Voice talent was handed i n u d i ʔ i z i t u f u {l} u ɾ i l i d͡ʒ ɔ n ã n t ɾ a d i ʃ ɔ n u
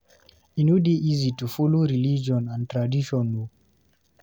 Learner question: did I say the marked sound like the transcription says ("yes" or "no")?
yes